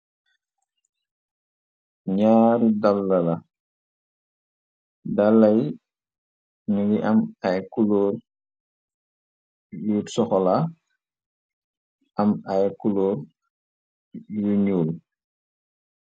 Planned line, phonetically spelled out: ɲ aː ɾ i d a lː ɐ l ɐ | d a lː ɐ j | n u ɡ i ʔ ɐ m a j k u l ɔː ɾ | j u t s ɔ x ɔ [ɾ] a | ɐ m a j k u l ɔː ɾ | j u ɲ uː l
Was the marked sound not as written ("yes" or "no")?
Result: yes